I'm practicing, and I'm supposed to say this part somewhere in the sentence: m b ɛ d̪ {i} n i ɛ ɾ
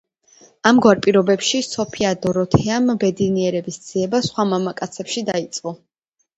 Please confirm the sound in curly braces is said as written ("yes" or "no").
yes